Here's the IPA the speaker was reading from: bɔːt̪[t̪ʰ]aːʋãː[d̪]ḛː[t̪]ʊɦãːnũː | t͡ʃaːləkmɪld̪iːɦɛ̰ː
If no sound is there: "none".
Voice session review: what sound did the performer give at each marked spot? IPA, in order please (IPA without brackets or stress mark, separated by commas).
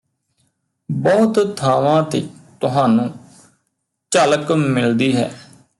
t̪ʰ, t̪, t̪